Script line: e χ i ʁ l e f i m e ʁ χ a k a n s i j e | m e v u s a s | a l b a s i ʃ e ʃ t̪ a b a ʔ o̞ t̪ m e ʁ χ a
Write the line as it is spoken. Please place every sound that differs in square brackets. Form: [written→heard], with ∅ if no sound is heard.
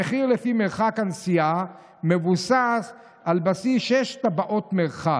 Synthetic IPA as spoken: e χ i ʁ l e f i m e ʁ χ a k a n s i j [e→a] | m e v u s a s | a l b a s i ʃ e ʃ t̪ a b a ʔ o̞ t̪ m e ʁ χ a